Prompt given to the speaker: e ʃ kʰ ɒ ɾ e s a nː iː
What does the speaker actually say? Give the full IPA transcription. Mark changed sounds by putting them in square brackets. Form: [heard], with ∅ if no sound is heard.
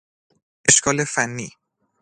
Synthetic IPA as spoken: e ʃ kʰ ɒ [l] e [f] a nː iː